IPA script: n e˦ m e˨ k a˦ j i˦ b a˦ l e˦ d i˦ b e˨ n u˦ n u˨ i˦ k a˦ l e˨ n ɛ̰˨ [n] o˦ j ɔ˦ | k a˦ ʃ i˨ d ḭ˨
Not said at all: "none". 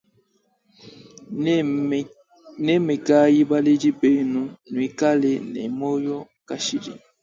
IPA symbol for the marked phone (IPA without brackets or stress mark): m